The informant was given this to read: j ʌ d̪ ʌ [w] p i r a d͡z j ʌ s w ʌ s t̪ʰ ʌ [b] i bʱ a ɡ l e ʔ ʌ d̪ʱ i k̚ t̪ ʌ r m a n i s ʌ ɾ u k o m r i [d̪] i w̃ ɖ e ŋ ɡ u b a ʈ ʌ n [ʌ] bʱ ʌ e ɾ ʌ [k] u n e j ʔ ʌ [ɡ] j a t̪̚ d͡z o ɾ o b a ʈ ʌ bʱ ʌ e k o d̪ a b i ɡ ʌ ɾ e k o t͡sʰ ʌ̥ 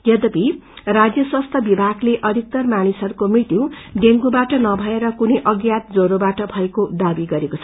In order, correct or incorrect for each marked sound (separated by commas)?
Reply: incorrect, correct, incorrect, correct, correct, correct